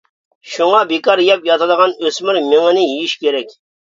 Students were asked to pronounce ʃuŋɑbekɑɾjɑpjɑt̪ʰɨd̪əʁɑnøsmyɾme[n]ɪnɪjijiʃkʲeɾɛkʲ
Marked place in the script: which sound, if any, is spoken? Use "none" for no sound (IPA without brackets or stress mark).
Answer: ŋ